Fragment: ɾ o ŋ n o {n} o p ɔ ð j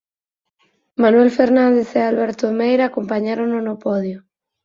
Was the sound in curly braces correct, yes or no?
yes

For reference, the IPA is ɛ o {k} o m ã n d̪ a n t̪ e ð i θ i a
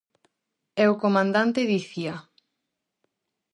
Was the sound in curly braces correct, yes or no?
yes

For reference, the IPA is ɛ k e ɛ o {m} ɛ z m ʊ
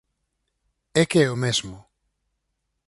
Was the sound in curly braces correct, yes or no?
yes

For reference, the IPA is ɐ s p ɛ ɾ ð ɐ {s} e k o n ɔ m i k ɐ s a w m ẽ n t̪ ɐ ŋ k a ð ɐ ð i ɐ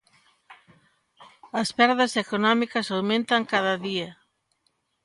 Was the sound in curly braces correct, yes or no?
yes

